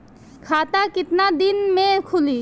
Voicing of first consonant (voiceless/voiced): voiceless